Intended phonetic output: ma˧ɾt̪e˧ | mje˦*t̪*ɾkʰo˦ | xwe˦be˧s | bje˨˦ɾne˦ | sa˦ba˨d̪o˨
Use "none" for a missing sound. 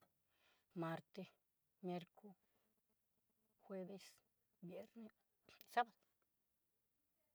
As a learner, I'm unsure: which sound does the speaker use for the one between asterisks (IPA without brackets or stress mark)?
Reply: none